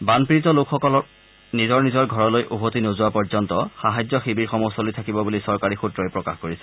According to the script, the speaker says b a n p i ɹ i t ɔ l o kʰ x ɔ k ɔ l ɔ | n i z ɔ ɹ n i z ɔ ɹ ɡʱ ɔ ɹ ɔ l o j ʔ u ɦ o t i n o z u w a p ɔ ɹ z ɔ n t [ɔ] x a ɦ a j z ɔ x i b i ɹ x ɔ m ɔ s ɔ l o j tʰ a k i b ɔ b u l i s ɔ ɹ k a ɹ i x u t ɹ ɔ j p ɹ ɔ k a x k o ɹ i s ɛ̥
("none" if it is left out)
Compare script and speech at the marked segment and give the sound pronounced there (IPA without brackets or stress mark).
ɔ